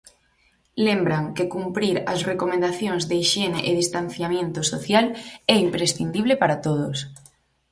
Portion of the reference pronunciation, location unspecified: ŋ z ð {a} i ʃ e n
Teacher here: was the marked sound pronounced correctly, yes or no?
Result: no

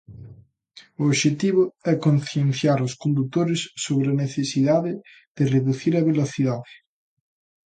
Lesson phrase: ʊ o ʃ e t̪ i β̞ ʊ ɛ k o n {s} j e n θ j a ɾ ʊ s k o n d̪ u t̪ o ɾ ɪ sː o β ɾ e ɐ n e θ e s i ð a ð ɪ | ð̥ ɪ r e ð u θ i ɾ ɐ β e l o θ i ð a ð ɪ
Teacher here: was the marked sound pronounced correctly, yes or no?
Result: no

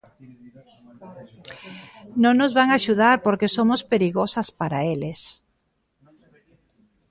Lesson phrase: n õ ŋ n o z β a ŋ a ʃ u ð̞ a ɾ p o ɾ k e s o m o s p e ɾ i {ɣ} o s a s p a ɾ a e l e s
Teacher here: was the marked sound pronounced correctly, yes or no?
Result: yes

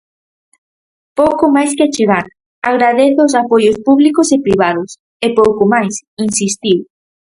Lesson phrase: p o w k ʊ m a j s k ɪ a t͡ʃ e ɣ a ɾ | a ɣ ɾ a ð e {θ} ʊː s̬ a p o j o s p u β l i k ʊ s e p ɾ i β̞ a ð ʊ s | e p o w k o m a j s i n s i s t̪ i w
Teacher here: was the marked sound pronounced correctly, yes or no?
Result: yes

